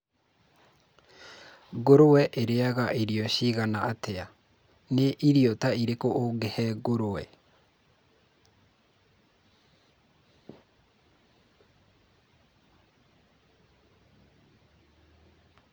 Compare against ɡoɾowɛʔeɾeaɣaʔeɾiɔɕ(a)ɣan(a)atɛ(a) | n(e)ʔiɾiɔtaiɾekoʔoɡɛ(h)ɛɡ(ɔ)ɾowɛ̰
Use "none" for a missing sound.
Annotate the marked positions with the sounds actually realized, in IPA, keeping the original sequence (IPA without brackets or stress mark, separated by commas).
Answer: i, a, a, e, h, o